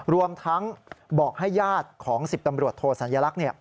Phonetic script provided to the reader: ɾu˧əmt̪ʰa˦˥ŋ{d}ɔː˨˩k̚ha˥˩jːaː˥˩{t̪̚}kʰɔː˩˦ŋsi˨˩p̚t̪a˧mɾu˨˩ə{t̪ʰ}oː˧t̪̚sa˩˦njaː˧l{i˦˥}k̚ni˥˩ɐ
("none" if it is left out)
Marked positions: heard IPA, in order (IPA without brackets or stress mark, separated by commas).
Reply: b, t̪̚, t̪ʰ, a˦˥